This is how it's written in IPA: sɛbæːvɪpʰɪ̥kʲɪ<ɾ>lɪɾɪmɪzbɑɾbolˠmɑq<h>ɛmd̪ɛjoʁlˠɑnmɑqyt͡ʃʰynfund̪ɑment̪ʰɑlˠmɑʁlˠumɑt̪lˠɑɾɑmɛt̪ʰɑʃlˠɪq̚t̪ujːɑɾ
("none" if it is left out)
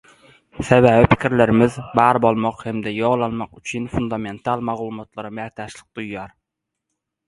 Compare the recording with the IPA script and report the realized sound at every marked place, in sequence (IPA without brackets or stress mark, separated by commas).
ɾ, h